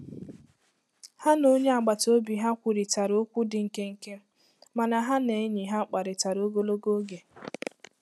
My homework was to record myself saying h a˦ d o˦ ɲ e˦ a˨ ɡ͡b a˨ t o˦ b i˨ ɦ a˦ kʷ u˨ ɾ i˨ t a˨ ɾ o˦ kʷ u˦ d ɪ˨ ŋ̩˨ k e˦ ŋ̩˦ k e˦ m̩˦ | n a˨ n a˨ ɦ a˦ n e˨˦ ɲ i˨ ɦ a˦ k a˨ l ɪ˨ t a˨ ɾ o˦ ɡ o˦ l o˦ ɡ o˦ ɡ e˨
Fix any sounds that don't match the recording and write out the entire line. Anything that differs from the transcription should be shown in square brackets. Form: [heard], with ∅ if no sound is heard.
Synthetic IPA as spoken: h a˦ [n] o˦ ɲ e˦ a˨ ɡ͡b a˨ t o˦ b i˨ ɦ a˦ kʷ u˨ ɾ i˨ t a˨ ɾ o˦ kʷ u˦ d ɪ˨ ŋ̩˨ k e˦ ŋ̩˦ k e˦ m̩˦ | [m] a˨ n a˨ ɦ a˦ n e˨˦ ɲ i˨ ɦ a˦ [k͡p] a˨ [ɾ] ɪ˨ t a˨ ɾ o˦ ɡ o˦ l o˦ ɡ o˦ ɡ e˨